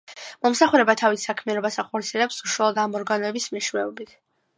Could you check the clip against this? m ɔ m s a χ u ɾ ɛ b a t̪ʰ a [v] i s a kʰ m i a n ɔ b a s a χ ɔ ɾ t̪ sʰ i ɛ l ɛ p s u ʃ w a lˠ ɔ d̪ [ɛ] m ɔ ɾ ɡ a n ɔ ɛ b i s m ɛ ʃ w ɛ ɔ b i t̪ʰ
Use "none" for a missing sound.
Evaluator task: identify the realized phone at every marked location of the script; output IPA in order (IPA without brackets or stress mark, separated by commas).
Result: v, a